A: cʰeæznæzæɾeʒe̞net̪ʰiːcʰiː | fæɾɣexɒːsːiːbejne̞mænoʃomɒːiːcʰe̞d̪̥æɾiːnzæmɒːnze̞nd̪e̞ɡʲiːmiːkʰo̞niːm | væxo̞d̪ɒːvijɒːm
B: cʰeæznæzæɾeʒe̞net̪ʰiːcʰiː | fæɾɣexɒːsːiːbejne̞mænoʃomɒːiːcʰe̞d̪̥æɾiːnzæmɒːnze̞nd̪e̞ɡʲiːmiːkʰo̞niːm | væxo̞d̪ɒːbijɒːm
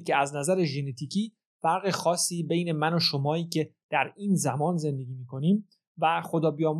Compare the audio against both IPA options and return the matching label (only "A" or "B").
B